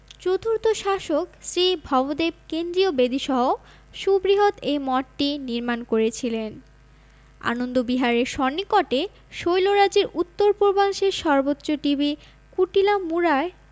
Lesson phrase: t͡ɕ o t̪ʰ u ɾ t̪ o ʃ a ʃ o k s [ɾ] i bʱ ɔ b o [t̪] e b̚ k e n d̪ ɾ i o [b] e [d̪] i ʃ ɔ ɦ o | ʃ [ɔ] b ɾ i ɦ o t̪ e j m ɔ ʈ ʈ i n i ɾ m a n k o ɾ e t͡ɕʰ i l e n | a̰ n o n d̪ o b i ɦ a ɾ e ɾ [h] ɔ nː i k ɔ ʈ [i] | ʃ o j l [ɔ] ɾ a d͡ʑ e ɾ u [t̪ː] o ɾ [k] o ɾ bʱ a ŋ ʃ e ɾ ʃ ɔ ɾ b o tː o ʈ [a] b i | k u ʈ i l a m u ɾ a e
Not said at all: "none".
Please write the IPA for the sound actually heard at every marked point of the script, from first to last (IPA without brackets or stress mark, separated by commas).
ɾ, d̪, b, d̪, u, ʃ, e, o, t̪ː, p, i